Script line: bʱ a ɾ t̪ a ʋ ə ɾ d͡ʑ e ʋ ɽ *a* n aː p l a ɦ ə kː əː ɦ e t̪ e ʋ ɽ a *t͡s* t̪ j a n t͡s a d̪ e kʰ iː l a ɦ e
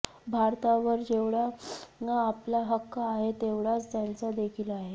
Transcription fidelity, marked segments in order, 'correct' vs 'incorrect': correct, correct

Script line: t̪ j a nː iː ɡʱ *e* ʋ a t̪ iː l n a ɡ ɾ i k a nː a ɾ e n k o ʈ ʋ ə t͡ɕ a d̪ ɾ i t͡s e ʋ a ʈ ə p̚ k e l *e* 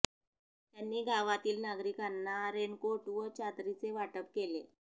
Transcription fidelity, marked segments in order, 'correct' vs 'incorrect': incorrect: a, correct

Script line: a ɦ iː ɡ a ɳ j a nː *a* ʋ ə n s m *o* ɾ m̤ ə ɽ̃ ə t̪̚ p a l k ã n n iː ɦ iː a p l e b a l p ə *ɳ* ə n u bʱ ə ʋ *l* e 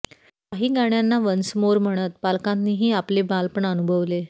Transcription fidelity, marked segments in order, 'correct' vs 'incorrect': correct, correct, correct, correct

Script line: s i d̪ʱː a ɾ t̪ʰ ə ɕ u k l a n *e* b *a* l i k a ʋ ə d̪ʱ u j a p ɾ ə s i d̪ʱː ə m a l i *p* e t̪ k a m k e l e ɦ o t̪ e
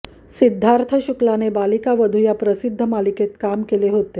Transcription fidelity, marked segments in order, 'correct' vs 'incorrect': correct, correct, incorrect: k

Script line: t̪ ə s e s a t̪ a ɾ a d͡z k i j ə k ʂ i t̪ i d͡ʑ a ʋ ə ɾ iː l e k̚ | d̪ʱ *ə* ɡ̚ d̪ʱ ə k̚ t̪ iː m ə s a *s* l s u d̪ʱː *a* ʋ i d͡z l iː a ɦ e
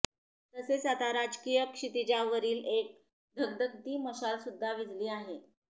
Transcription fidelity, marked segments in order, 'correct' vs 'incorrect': correct, incorrect: none, correct

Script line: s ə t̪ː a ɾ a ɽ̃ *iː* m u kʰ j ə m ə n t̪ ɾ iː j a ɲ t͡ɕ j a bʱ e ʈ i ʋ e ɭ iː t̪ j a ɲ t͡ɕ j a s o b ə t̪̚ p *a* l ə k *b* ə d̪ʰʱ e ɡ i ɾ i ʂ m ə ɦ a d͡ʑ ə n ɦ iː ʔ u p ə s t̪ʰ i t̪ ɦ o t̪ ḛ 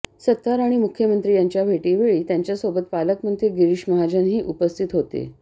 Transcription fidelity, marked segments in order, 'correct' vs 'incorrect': incorrect: i, correct, incorrect: m

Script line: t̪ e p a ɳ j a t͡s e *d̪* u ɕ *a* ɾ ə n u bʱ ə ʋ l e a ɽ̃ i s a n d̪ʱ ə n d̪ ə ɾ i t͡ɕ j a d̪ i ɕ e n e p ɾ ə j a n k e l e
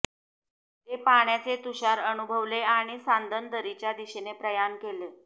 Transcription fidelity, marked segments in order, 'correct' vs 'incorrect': incorrect: t̪, correct

